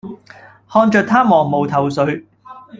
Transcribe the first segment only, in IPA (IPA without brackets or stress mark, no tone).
h